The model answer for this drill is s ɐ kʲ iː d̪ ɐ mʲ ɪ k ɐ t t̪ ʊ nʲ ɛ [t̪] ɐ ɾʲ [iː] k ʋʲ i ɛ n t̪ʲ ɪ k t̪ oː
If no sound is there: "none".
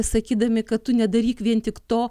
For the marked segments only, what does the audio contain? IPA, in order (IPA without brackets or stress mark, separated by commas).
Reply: d̪, iː